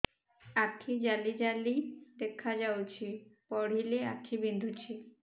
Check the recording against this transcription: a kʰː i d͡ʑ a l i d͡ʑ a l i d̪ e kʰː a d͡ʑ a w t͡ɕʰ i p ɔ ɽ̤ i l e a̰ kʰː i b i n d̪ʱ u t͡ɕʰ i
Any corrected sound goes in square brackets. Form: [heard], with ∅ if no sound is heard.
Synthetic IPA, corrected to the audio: a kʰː i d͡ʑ a l i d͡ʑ a l i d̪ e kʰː a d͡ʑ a w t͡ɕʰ i p ɔ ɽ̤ i l e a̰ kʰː i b i n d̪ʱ u t͡ɕʰ i